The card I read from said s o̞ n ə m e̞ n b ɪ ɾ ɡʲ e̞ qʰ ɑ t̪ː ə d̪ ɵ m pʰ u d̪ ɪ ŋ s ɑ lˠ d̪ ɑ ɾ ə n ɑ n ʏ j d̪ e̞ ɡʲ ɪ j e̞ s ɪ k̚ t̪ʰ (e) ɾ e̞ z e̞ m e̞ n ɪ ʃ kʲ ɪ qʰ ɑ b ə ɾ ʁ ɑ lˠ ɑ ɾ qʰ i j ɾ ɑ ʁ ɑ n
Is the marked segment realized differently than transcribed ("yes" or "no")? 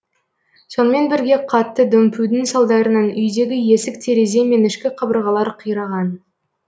no